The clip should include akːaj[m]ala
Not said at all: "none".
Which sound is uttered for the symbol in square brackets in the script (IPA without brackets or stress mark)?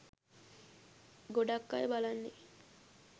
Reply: b